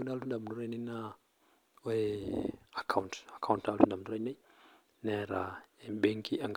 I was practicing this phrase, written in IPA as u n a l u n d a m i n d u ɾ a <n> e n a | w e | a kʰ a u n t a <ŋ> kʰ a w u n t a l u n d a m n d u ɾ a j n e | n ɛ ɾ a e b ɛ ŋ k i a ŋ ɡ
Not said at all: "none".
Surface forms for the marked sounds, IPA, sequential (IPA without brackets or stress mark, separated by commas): n, none